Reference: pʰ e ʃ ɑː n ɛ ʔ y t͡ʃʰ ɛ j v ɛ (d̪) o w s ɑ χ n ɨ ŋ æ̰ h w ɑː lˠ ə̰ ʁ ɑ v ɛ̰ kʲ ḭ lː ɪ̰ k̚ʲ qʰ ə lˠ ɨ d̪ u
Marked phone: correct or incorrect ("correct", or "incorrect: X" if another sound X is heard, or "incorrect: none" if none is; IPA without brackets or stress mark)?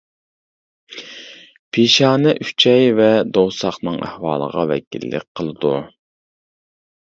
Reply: correct